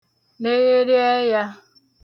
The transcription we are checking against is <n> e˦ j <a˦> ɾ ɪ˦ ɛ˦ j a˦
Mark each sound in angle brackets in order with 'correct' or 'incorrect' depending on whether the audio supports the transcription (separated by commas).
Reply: correct, incorrect